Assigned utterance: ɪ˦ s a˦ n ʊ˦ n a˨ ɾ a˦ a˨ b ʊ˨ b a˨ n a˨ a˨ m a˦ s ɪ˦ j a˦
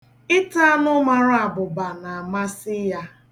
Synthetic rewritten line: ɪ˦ t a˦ n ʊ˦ m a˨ ɾ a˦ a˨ b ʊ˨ b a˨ n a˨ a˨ m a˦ s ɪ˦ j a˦